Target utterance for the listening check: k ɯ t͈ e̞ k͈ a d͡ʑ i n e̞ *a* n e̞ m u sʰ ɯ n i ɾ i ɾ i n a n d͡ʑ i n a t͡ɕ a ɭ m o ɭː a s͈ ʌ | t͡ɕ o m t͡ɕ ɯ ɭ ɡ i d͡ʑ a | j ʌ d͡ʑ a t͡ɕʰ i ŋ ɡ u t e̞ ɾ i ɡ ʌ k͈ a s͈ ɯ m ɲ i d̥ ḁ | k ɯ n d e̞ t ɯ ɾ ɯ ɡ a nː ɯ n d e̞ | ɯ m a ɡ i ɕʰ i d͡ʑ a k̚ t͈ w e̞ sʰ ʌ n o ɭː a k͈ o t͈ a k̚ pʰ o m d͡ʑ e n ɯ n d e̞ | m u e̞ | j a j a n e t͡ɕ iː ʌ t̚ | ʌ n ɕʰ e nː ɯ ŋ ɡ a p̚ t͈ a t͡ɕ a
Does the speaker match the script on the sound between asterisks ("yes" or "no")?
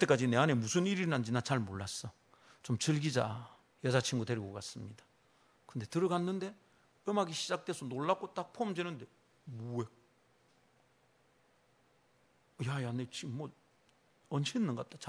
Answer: yes